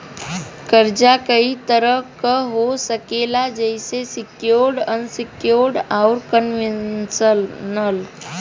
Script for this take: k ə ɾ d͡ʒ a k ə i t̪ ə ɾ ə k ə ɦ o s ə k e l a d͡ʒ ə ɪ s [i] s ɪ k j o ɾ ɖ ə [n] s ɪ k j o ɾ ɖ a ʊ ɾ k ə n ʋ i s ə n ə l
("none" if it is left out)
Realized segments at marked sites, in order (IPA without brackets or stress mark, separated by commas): e, n